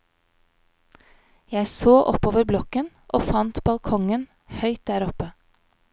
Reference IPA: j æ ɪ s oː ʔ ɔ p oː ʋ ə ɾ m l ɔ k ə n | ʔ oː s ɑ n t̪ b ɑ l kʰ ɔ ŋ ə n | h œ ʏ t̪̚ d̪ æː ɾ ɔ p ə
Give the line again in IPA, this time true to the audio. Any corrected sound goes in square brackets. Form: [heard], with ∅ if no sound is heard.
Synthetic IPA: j æ ɪ s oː ʔ ɔ p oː ʋ ə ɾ [b] l ɔ k ə n | ʔ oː [f] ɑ n t̪ b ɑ l kʰ ɔ ŋ ə n | h œ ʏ t̪̚ d̪ æː ɾ ɔ p ə